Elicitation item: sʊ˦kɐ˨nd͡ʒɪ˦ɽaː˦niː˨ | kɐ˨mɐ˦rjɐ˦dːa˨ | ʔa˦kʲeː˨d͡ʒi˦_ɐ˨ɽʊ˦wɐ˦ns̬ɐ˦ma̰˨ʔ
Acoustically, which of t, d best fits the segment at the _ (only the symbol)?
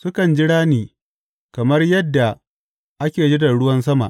d